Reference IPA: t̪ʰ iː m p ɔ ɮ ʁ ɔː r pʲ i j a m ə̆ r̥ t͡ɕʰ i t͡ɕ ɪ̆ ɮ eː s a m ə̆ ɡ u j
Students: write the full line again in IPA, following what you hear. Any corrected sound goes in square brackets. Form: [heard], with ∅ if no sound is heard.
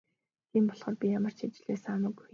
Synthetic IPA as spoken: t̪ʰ iː m p ɔ ɮ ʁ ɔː r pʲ i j a m ə̆ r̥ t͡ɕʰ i t͡ɕ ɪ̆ ɮ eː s a m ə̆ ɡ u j